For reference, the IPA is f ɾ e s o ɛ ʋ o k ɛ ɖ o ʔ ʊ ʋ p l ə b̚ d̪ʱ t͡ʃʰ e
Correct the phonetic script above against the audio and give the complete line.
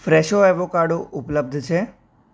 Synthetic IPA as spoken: f ɾ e ʃ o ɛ ʋ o k a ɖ o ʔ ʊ p l ə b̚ d̪ʱ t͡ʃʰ e